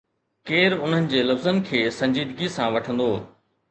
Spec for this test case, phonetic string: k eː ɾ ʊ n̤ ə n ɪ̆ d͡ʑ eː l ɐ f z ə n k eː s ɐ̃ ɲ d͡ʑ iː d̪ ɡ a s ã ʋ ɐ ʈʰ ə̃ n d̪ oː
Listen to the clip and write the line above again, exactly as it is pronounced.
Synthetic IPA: k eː ɾ ʊ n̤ ə n ɪ̆ d͡ʑ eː l ɐ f z ə n kʰ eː s ɐ̃ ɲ d͡ʑ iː d̪ ɡ i s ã ʋ ɐ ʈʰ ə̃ n d̪ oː